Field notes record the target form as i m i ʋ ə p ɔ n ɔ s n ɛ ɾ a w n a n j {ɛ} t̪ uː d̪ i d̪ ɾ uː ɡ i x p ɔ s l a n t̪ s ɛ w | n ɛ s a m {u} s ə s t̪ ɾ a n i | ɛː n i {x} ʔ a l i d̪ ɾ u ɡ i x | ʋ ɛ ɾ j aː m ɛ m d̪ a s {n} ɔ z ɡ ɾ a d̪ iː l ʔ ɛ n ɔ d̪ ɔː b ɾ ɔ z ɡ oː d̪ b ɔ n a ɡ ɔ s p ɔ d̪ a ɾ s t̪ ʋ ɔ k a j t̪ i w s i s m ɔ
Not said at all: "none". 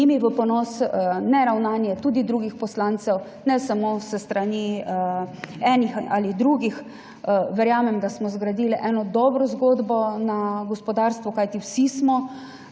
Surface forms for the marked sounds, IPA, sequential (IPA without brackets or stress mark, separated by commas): ɛ, o, x, m